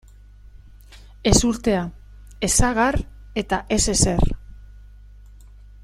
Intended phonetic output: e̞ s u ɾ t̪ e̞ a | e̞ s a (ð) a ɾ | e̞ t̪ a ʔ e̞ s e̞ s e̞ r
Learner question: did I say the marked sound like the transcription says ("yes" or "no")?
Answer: no